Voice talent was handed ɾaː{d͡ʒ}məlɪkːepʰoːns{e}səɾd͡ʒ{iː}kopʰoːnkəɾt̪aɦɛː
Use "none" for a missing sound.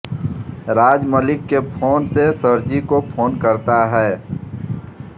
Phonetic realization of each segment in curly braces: d͡ʒ, e, i

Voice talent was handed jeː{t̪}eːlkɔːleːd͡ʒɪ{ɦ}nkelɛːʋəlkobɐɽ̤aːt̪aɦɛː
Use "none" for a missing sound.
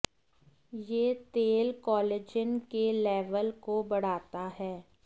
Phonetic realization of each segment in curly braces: t̪, none

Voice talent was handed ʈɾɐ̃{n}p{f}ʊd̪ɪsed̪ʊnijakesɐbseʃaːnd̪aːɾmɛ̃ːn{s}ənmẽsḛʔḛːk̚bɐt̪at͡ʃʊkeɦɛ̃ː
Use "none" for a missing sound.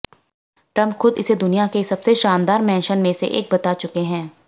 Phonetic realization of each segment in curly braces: m, x, ʃ

